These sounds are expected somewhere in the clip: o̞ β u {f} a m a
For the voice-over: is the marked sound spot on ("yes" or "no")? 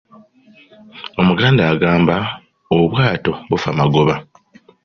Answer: yes